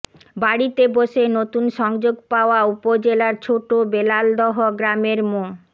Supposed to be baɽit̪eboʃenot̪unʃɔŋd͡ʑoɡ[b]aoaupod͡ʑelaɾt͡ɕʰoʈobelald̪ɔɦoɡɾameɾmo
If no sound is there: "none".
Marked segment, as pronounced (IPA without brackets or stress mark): p